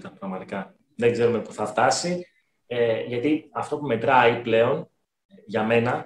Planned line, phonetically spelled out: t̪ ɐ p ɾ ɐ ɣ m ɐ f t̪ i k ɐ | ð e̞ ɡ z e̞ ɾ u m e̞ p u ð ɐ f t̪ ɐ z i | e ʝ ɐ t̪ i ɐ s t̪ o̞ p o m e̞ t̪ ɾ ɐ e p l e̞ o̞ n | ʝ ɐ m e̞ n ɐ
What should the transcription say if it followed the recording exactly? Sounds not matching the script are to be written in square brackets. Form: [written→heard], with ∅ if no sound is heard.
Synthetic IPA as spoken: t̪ ɐ p ɾ ɐ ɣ m ɐ [f→∅] t̪ i k ɐ | ð e̞ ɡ z e̞ ɾ u m e̞ p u [ð→θ] ɐ f t̪ ɐ [z→s] i | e ʝ ɐ t̪ i ɐ [s→f] t̪ o̞ p [o→u] m e̞ t̪ ɾ ɐ [e→i] p l e̞ o̞ n | ʝ ɐ m e̞ n ɐ